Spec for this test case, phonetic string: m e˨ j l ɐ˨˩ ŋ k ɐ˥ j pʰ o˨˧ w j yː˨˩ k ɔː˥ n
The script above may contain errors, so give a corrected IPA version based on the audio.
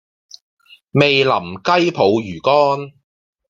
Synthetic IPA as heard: m e˨ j l ɐ˨˩ m k ɐ˥ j pʰ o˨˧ w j yː˨˩ k ɔː˥ n